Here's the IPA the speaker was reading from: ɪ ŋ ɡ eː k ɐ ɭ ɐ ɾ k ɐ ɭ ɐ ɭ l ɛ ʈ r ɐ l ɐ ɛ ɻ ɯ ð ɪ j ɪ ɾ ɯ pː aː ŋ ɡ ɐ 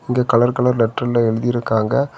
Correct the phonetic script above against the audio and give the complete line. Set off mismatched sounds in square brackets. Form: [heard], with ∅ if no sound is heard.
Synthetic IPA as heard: ɪ ŋ ɡ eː k ɐ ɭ ɐ ɾ k ɐ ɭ ɐ [ɾ] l ɛ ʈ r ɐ l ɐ ɛ ɻ ɯ ð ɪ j ɪ ɾ ɯ [kː] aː ŋ ɡ ɐ